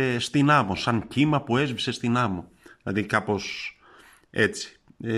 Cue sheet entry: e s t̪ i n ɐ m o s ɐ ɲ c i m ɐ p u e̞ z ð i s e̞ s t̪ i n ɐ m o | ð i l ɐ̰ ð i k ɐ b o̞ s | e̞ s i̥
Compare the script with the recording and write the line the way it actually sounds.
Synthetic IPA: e s t̪ i n ɐ m o s ɐ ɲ c i m ɐ p u e̞ z v i s e̞ s t̪ i n ɐ m o | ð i l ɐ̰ ð i k ɐ p o̞ s | e̞ t͡s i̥